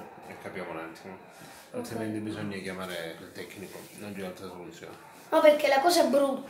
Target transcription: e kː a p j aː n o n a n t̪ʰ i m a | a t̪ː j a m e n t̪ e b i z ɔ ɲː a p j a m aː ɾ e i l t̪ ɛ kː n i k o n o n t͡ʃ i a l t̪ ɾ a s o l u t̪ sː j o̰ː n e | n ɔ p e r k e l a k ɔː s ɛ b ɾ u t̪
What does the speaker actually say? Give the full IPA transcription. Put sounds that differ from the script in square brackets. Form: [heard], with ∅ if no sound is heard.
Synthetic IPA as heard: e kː a p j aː [m] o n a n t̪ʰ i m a | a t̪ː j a m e n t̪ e b i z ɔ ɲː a [k] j a m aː ɾ e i l t̪ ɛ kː n i k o n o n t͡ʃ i a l t̪ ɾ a s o l u t̪ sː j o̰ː n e | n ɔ p e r k e l a k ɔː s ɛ b ɾ u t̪